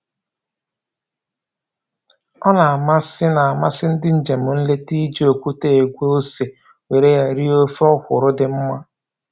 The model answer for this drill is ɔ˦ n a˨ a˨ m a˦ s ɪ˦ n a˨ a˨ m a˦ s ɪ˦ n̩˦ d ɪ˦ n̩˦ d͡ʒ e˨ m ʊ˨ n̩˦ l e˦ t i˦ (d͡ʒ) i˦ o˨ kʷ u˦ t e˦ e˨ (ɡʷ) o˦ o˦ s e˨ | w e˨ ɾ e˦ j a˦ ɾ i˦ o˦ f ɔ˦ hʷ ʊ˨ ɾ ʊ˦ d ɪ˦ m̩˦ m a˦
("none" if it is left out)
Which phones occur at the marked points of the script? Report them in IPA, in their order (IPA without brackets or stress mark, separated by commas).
d͡ʒ, ɡʷ